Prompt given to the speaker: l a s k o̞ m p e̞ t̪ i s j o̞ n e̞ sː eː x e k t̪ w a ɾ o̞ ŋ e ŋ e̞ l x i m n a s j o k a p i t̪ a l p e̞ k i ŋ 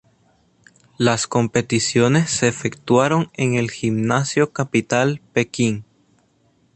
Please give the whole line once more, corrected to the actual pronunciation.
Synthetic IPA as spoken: l a s k o̞ m p e̞ t̪ i s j o̞ n e̞ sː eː f e k t̪ w a ɾ o̞ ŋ e ŋ e̞ l x i m n a s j o k a p i t̪ a l p e̞ k i ŋ